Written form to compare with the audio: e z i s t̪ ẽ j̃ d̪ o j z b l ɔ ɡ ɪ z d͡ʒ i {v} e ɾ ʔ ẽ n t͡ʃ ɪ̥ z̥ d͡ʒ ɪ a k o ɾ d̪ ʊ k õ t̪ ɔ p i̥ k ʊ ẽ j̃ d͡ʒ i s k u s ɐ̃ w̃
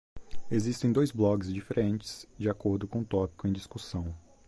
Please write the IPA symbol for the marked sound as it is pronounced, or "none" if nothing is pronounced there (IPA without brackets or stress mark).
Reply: f